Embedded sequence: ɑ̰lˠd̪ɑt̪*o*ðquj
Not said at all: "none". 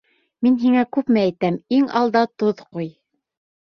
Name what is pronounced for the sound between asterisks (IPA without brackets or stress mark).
o